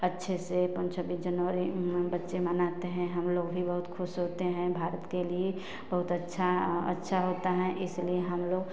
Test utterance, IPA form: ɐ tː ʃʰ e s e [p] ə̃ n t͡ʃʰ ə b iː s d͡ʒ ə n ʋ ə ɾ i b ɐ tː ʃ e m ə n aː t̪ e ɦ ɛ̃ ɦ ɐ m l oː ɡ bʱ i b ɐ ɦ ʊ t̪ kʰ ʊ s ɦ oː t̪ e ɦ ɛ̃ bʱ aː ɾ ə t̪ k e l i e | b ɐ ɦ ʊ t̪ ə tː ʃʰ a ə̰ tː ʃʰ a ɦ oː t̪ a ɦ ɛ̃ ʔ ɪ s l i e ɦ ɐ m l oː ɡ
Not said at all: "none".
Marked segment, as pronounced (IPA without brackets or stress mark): p